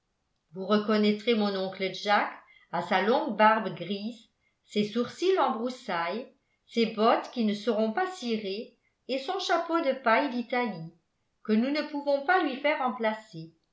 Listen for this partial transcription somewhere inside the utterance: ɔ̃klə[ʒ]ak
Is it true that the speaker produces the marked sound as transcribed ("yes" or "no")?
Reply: yes